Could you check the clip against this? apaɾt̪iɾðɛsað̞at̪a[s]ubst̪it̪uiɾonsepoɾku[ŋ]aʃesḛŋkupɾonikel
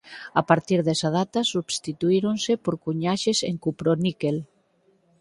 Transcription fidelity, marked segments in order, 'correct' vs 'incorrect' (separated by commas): correct, incorrect